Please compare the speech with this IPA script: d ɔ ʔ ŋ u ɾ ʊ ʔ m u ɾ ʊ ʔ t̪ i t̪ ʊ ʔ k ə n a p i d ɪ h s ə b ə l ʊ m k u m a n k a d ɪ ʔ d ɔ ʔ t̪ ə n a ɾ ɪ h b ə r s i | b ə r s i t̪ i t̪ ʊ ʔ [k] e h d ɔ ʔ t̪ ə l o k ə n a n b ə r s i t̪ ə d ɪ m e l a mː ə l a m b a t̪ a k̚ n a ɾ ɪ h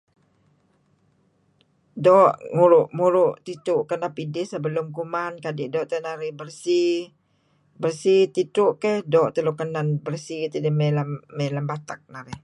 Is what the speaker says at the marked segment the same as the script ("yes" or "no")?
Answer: yes